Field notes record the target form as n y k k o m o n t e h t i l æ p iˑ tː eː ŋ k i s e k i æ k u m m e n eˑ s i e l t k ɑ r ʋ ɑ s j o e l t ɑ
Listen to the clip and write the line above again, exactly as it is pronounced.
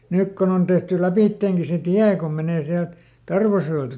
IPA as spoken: n y k k o n o n t e h t y l æ p iˑ tː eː ŋ k i s e t i æ k o m m e n eˑ s i æ l t t ɑ r ʋ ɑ s j o e l t ɑ